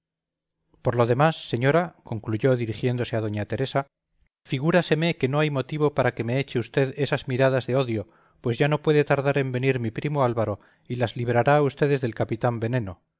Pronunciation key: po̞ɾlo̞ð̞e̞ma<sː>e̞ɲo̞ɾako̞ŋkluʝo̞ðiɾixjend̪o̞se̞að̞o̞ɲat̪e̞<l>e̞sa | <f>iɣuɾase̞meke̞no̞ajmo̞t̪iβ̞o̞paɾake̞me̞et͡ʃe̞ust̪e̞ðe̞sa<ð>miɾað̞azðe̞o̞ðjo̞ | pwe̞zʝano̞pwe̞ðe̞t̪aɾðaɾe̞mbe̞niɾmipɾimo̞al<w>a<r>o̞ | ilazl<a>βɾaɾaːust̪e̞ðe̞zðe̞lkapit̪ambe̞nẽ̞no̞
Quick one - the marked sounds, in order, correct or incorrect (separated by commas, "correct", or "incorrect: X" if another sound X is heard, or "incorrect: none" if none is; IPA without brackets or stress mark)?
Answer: correct, incorrect: ɾ, correct, incorrect: z, incorrect: β, incorrect: ɾ, incorrect: i